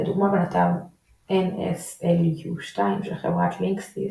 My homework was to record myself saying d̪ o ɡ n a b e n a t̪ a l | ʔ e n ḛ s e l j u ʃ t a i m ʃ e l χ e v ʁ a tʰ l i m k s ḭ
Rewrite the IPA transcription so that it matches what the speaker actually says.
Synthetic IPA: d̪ u ɡ m a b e n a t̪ a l | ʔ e n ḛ s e l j u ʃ t a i m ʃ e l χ e v ʁ a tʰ l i ŋ k s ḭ